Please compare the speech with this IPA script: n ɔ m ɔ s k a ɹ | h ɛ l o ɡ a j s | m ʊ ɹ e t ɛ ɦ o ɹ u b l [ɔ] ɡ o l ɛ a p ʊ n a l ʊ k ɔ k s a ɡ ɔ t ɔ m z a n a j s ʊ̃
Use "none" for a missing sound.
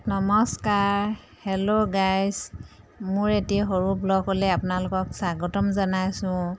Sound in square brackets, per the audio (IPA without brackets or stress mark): ɔ